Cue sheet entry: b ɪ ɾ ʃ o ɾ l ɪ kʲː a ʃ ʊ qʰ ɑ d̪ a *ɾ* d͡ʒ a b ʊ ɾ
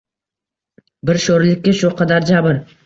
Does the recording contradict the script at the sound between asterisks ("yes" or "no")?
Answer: no